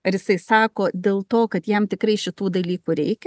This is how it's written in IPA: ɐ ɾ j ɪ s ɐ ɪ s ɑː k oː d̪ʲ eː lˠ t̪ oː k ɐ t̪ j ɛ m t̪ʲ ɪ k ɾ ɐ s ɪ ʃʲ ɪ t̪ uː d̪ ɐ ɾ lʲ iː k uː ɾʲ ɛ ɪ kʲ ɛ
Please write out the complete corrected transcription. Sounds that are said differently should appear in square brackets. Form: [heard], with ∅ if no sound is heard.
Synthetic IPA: ɐ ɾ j ɪ s ɐ ɪ s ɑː k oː d̪ʲ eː lˠ t̪ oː k ɐ t̪ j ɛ m t̪ʲ ɪ k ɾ ɐ [∅] ɪ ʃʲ ɪ t̪ uː d̪ ɐ [∅] lʲ iː k uː ɾʲ ɛ ɪ kʲ ɛ